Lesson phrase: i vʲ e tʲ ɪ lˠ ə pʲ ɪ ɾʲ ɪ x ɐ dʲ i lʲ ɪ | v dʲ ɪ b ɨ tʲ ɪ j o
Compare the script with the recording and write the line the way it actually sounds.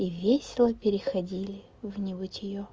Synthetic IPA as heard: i vʲ e sʲ ɪ lˠ ə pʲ ɪ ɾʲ ɪ x ɐ dʲ i lʲ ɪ | v nʲ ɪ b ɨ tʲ ɪ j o

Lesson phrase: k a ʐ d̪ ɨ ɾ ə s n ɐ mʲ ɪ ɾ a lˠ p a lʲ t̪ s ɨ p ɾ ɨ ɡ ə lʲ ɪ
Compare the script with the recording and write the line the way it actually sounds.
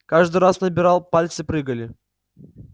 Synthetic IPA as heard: k a ʐ d̪ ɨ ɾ a s n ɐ bʲ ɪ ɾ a lˠ p a lʲ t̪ s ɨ p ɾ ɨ ɡ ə lʲ ɪ

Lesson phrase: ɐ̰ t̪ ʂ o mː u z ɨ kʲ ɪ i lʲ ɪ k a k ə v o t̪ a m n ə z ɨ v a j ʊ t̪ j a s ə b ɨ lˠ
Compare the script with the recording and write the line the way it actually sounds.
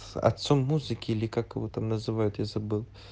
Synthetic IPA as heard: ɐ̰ t̪ s o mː u z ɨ kʲ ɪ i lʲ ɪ k a k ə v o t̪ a m n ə z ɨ v a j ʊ t̪ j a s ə b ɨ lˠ

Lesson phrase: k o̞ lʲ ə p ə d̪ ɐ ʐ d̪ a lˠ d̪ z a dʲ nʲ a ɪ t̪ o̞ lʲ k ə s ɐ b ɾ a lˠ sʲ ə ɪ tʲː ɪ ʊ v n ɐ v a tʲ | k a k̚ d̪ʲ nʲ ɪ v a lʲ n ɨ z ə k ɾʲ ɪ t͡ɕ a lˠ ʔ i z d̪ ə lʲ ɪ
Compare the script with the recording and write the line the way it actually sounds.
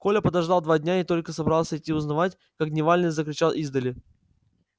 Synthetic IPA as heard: k o̞ lʲ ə p ə d̪ ɐ ʐ d̪ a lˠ d̪ v a dʲ nʲ a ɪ t̪ o̞ lʲ k ə s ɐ b ɾ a lˠ sʲ ə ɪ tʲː i ʊ z n ɐ v a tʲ | k a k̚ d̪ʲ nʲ ɪ v a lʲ n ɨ z ə k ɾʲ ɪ t͡ɕ a lˠ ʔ i z d̪ ə lʲ ɪ

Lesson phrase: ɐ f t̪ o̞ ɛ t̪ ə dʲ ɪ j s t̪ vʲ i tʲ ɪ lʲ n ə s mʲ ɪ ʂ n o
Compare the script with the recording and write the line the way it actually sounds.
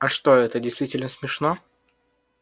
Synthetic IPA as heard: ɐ ʂ t̪ o̞ ɛ t̪ ə dʲ ɪ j s t̪ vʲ i tʲ ɪ lʲ n ə s mʲ ɪ ʂ n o

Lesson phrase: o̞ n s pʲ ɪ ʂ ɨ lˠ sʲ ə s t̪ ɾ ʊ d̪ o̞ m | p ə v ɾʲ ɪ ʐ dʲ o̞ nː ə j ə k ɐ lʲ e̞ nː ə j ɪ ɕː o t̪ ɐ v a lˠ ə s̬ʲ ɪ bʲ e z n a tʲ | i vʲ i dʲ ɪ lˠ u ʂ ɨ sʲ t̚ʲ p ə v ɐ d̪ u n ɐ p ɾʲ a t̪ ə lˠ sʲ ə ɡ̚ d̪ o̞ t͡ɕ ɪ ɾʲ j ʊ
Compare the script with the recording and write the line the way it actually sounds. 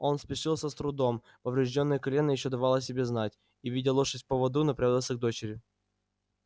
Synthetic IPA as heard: o̞ n s pʲ ɪ ʂ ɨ lˠ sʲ ə s t̪ ɾ ʊ d̪ o̞ m | p ə v ɾʲ ɪ ʐ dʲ o̞ nː ə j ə k ɐ lʲ e̞ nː ə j ɪ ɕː o d̪ ɐ v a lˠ ə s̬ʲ ɪ bʲ e z n a tʲ | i vʲ i dʲ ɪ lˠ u ʂ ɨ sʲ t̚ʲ p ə v ɐ d̪ u n ɐ p ɾʲ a d̪ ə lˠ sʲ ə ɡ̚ d̪ o̞ t͡ɕ ɪ ɾʲ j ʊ

